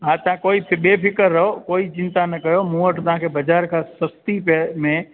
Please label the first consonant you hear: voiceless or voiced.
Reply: voiced